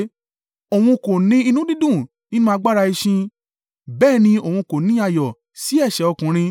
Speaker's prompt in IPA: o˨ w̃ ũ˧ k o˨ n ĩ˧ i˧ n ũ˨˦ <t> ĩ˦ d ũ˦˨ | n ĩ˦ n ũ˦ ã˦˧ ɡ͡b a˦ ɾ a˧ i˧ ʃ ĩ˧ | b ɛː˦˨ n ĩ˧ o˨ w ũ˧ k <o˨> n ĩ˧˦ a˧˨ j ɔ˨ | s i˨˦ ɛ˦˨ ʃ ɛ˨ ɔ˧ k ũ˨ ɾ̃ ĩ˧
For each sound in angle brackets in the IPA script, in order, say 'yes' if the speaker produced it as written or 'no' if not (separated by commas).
no, yes